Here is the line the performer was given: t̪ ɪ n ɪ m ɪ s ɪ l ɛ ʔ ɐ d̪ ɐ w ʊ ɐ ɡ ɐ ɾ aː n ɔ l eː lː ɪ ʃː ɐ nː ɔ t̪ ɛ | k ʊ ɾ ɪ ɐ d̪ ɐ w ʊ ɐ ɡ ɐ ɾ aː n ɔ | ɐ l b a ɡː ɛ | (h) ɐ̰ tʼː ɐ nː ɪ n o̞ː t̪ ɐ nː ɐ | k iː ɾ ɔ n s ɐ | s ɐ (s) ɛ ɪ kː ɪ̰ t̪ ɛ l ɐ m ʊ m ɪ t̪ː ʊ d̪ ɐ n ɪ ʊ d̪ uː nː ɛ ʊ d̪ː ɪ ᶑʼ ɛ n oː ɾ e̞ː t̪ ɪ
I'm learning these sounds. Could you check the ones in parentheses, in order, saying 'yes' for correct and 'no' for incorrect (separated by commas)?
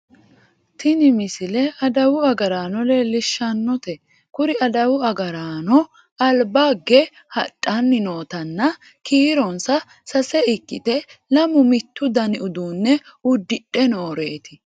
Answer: yes, yes